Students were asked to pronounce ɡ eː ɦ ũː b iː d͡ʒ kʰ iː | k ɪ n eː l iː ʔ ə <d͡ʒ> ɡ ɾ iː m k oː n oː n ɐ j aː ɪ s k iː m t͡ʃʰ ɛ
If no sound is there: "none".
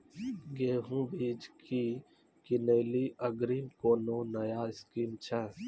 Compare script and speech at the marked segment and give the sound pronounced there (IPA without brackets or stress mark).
none